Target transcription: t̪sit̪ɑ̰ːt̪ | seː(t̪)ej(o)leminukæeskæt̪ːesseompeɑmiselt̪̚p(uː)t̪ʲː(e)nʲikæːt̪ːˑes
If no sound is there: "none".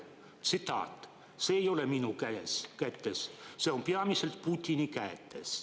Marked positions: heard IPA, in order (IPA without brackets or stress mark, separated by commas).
none, o, u, i